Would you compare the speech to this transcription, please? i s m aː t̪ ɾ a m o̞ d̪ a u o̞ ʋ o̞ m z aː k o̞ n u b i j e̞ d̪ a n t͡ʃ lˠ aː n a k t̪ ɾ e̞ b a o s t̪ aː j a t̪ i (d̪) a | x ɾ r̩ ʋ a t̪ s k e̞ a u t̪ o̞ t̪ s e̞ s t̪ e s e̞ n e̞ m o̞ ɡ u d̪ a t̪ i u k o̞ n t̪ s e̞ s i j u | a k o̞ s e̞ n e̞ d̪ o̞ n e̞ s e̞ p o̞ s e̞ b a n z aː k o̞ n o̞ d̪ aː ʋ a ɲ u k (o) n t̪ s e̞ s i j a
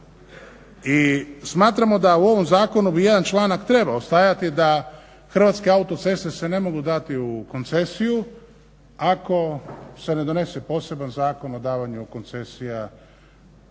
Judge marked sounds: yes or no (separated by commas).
yes, yes